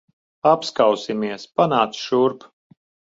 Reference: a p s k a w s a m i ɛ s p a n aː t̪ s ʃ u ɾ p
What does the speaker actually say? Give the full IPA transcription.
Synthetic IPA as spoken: a p s k a w s i m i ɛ s p a n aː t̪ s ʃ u ɾ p